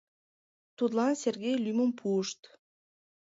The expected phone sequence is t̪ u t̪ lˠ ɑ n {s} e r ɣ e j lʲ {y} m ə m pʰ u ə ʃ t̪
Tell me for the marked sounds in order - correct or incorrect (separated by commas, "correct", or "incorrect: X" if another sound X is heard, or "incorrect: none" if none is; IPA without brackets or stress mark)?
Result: correct, correct